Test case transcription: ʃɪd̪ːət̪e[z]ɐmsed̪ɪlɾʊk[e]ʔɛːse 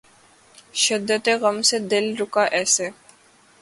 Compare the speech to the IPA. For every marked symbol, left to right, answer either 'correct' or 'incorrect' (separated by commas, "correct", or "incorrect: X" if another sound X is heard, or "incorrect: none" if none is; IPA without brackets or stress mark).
incorrect: ɣ, incorrect: a